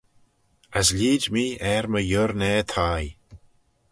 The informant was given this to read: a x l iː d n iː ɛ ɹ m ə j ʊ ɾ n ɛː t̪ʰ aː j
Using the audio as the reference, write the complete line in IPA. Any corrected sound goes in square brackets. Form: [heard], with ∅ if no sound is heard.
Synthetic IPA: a [s] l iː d [m] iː ɛ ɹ m ə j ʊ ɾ n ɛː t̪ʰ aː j